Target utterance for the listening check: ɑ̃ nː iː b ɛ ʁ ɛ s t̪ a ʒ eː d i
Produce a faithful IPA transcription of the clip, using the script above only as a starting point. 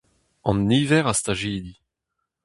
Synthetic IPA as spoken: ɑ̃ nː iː v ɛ ʁ a s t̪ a ʒ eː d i

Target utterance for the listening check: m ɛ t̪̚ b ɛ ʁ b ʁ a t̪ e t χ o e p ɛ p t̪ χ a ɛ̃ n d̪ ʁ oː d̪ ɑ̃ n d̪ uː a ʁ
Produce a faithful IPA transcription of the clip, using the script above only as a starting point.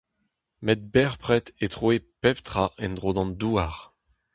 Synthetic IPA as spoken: m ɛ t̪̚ b ɛ ʁ p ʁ ɛ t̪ e t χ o e p ɛ p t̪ χ a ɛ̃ n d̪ ʁ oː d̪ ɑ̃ n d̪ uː a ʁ

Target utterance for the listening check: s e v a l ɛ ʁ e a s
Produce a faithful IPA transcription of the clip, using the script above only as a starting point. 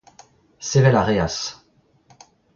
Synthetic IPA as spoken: s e v ɛ l a ʁ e a s

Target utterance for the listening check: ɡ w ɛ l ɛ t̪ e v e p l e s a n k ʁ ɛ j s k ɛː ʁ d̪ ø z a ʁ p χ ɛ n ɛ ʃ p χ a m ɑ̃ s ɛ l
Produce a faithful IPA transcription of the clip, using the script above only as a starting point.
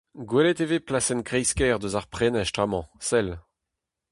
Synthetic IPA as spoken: ɡ w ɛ l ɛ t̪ e v e p l a s ɛ n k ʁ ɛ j s k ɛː ʁ d̪ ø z a ʁ p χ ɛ n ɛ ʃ t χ a m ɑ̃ s ɛ l

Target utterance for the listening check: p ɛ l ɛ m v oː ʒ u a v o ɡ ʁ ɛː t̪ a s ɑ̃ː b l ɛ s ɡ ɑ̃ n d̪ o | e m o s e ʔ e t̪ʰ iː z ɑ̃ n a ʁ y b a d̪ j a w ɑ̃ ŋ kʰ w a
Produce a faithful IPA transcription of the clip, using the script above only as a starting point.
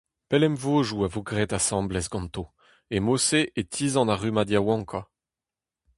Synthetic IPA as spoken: p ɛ l ɛ m v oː ʒ u a v o ɡ ʁ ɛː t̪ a s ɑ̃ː b l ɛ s ɡ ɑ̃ n t̪ o | e m o s e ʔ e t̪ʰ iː z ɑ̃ n a ʁ y m a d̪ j a w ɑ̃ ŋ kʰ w a

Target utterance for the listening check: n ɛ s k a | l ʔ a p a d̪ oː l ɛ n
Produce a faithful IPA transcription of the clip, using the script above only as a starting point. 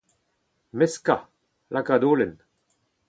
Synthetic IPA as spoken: m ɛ s k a | l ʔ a k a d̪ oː l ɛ n

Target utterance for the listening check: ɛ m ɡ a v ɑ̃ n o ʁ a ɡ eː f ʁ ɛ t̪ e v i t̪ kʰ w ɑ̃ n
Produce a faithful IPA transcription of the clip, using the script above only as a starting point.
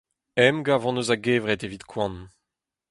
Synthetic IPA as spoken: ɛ m ɡ a v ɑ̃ n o z a ɡ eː v ʁ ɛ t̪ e v i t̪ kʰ w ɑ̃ n

